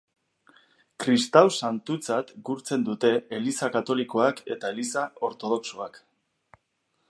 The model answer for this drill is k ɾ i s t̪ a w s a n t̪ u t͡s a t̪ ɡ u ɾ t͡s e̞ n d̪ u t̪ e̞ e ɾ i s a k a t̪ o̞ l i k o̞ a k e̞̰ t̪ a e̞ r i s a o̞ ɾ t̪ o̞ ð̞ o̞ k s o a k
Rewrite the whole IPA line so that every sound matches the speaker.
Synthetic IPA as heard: k ɾ i s t̪ a w s a n t̪ u t͡s a t̪ ɡ u ɾ t͡s e̞ n d̪ u t̪ e̞ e l i s a k a t̪ o̞ l i k o̞ a k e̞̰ t̪ a e̞ l i s a o̞ ɾ t̪ o̞ ð̞ o̞ k s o a k